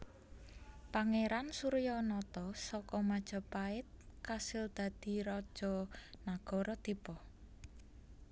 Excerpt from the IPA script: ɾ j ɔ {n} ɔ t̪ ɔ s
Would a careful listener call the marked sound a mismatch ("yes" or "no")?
no